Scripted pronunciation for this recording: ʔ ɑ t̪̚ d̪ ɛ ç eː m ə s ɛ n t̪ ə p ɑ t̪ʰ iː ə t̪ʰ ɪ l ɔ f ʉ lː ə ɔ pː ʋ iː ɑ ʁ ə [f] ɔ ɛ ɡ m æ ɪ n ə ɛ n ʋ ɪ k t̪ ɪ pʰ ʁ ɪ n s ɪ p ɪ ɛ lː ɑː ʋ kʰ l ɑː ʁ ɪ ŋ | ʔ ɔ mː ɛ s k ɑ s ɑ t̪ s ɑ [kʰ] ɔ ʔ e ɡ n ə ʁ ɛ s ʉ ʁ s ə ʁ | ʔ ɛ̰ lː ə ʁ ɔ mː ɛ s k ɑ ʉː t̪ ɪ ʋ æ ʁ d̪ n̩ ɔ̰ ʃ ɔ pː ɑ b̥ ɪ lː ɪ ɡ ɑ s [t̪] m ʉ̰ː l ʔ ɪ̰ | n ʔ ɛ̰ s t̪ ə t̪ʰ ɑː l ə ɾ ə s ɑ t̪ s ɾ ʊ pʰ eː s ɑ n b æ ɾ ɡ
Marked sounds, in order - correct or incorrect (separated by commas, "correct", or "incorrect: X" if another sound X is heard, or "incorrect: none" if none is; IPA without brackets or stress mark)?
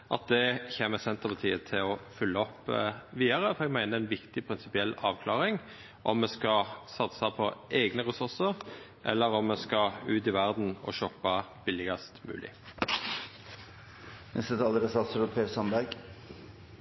correct, incorrect: pʰ, correct